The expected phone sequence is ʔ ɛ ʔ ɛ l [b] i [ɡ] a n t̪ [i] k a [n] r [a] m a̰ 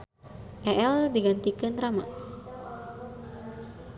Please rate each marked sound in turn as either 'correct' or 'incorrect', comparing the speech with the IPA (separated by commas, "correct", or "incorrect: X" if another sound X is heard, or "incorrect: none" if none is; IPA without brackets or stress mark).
incorrect: d, correct, correct, correct, correct